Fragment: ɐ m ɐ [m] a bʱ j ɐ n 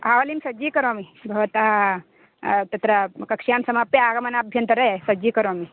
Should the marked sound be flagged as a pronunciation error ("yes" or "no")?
yes